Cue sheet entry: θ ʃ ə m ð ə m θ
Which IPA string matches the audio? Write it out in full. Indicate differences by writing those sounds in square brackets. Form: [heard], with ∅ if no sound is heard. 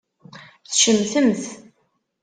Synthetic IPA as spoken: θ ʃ ə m [θ] ə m θ